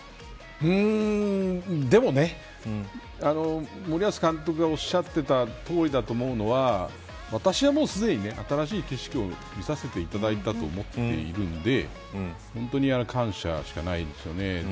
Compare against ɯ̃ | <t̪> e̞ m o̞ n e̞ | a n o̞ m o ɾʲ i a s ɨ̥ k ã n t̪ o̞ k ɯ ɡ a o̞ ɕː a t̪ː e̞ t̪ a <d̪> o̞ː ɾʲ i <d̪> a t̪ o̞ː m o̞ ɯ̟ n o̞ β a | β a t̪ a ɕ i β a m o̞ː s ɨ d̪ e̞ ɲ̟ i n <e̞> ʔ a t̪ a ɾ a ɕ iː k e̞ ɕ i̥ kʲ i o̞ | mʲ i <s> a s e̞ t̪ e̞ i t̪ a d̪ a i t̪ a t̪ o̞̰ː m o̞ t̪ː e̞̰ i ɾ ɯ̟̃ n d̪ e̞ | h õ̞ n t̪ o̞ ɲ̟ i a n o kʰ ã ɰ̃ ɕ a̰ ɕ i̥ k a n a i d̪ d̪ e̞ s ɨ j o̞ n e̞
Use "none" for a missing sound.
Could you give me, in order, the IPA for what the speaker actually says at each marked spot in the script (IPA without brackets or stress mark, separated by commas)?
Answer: d̪, t̪, d̪, e̞, s